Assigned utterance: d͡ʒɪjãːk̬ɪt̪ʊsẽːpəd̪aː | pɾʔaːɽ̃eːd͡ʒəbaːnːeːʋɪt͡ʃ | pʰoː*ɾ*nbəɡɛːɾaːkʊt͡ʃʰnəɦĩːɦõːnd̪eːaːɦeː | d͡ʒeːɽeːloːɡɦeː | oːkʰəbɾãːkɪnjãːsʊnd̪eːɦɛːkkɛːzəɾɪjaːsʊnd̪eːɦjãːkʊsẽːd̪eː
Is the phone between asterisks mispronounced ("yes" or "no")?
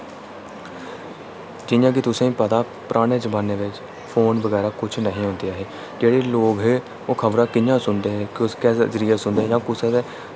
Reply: yes